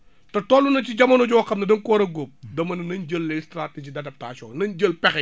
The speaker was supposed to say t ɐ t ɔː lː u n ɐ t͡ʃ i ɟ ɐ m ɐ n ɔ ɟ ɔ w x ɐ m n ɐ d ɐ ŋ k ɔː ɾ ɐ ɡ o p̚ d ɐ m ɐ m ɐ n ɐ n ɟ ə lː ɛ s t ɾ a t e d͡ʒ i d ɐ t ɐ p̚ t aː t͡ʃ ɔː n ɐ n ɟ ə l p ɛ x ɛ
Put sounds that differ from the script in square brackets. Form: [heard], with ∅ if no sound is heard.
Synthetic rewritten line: t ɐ t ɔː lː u n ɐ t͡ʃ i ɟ ɐ m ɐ n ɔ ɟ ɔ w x ɐ m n ɐ d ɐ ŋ k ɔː ɾ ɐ ɡ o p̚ d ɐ m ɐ [n] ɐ n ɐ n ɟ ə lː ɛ s t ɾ a t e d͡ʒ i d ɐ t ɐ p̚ t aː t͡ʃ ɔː n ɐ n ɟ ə l p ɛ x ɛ